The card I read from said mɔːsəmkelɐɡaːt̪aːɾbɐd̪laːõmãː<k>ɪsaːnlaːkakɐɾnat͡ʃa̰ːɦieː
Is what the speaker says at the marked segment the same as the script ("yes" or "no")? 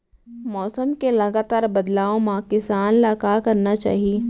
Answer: yes